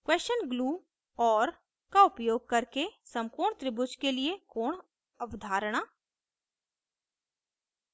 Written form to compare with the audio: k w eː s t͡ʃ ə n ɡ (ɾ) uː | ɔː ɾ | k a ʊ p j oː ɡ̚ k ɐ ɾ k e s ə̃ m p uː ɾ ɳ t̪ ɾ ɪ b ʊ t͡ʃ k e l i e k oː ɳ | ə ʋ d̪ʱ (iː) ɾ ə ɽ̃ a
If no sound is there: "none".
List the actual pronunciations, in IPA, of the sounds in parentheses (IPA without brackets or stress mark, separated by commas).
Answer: l, aː